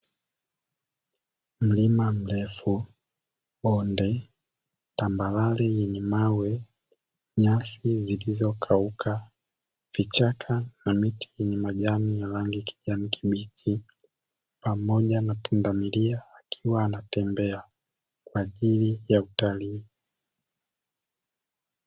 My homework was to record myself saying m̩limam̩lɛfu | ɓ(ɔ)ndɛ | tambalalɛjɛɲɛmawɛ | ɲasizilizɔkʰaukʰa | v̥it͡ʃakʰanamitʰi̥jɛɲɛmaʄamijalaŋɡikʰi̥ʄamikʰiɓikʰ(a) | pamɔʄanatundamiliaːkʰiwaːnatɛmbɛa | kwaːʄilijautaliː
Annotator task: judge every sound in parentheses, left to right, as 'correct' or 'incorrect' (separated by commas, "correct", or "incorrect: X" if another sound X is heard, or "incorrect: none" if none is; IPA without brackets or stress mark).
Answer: correct, incorrect: i